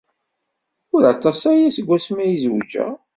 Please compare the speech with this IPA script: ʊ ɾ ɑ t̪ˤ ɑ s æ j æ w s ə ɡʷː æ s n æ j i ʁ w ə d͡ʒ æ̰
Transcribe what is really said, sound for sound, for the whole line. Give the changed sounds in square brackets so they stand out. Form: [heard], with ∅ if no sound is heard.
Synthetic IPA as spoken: ʊ ɾ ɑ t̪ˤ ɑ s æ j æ [∅] s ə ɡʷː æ s [m] æ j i [z] w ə d͡ʒ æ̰